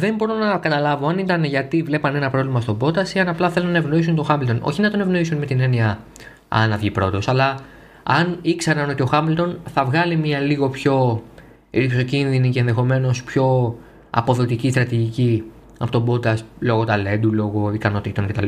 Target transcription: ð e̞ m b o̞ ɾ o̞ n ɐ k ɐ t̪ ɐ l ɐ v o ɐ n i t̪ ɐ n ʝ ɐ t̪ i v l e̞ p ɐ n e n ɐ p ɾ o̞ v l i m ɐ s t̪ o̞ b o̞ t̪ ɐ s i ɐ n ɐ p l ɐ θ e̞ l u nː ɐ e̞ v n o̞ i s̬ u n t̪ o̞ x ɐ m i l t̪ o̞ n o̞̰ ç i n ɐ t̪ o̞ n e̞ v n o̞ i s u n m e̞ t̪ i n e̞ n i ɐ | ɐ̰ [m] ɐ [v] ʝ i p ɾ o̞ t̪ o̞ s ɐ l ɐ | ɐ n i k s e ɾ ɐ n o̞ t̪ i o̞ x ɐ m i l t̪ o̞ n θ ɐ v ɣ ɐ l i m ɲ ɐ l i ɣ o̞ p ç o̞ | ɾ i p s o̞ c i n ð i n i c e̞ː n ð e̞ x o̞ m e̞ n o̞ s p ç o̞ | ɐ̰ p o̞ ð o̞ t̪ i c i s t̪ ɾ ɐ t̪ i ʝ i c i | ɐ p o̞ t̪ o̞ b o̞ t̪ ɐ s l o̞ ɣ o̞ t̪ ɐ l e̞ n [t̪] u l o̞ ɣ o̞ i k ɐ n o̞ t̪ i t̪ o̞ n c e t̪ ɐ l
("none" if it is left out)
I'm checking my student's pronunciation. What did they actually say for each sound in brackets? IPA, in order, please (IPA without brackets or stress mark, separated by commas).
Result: n, v, d̪